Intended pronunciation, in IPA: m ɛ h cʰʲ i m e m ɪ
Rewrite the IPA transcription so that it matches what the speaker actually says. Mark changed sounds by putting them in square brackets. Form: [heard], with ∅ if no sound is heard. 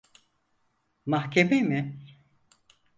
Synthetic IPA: m [a] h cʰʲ [e] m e m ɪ